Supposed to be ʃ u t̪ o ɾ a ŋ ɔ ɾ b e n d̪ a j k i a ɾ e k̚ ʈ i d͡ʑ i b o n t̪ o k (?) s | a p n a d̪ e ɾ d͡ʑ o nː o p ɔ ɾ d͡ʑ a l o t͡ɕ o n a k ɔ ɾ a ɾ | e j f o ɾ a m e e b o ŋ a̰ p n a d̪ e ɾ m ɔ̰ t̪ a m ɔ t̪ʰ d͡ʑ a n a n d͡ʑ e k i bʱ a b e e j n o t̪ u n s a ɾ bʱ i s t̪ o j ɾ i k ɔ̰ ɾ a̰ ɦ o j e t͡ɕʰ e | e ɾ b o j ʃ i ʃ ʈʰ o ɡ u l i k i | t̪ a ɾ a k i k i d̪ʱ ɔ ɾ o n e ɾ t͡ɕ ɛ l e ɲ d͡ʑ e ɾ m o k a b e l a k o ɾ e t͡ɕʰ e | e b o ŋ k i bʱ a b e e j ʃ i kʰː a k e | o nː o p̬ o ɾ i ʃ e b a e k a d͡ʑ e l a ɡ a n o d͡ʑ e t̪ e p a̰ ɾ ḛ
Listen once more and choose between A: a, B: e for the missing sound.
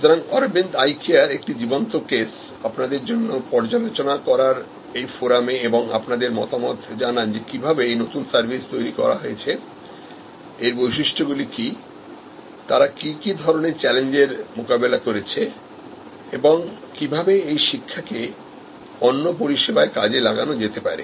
B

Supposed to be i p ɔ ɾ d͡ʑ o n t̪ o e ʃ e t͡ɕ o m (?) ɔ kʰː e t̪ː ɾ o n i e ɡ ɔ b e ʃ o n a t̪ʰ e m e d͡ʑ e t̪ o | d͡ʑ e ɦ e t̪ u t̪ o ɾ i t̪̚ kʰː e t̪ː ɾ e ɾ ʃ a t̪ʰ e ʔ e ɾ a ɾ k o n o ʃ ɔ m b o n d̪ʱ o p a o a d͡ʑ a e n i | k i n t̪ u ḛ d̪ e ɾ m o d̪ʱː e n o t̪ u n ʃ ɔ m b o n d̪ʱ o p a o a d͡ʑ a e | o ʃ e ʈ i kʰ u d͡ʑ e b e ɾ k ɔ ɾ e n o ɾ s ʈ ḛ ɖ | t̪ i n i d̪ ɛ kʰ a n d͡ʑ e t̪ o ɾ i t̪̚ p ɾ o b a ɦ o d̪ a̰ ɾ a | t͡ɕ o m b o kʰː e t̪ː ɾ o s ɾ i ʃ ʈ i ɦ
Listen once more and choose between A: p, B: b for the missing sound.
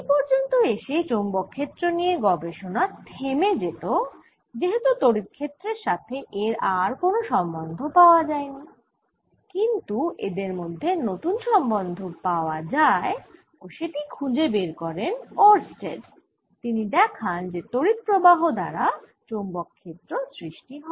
B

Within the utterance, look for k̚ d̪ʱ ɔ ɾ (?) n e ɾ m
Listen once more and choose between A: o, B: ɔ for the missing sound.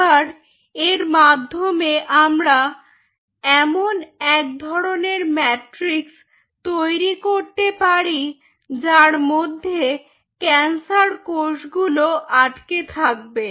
A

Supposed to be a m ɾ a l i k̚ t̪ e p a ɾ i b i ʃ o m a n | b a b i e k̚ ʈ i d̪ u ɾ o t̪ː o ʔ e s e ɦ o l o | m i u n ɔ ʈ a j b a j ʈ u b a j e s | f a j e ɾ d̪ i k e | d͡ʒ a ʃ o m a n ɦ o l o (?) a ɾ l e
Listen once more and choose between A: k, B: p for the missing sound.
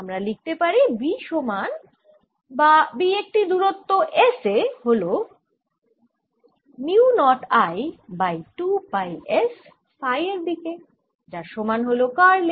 A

